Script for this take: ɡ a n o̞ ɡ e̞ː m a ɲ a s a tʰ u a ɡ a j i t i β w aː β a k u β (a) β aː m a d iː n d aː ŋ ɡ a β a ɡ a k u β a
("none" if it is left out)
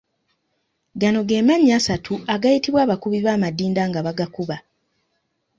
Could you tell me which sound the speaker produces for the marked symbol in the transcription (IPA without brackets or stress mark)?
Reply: i